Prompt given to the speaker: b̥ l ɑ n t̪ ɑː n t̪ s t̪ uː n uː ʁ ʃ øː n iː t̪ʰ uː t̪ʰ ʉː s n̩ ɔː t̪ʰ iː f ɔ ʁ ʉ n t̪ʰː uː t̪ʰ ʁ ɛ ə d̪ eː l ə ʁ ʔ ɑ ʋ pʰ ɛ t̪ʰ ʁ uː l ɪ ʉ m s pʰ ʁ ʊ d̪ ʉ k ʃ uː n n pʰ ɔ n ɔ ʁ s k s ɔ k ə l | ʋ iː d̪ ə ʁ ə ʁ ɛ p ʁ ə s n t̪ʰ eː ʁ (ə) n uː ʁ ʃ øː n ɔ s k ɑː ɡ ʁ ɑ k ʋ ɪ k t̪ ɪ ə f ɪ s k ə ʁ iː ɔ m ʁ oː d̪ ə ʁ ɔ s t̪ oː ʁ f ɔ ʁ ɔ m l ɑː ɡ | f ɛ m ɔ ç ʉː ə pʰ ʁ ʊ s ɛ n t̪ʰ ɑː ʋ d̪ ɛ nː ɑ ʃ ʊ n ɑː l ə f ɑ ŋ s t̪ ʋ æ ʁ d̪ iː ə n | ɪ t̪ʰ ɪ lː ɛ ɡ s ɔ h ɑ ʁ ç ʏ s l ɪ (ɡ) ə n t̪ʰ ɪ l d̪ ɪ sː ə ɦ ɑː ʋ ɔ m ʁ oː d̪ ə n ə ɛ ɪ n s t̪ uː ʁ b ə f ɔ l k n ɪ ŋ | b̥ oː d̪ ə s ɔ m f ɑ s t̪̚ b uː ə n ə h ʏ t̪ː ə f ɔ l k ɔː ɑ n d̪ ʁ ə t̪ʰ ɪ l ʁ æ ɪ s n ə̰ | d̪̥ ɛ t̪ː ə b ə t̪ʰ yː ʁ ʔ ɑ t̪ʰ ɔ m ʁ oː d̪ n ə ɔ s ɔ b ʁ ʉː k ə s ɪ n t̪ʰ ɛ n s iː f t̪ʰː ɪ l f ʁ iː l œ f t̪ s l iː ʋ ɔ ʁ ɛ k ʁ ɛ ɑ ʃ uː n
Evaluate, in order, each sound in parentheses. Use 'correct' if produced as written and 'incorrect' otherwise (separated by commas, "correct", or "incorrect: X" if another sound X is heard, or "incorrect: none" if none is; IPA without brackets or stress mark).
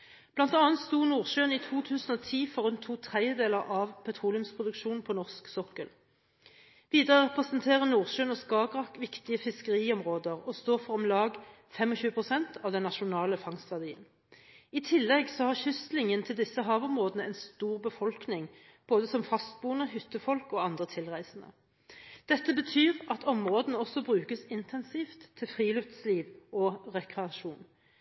correct, incorrect: ŋ